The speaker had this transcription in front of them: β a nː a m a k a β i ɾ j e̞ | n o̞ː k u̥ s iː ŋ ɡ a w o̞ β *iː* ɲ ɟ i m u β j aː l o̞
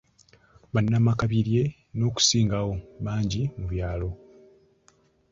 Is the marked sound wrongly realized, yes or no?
yes